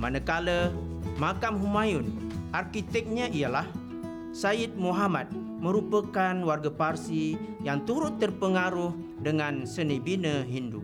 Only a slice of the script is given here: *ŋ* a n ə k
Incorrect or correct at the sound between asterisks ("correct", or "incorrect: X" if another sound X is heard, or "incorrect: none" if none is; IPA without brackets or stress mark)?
incorrect: m